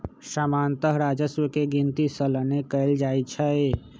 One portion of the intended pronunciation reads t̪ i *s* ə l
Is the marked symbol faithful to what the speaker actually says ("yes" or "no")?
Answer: yes